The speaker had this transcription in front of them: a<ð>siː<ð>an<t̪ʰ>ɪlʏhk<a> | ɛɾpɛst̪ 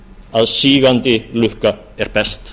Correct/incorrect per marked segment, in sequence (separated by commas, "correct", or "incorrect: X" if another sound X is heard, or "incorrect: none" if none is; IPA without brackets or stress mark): correct, incorrect: ɣ, incorrect: t̪, correct